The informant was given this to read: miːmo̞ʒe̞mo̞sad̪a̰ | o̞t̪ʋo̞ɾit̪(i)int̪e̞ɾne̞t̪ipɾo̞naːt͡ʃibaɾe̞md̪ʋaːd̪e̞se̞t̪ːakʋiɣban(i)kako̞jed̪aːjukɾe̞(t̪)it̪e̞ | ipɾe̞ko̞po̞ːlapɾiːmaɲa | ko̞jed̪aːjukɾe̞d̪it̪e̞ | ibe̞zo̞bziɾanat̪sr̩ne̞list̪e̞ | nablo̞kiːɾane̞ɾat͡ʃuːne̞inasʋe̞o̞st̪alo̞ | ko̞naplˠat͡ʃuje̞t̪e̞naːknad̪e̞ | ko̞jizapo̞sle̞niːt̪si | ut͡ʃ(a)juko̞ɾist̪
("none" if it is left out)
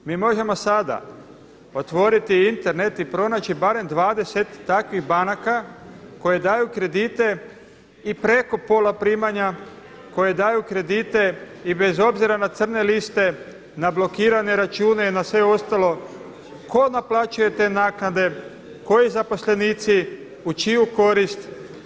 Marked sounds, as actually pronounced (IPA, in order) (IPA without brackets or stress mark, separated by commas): i, a, d̪, i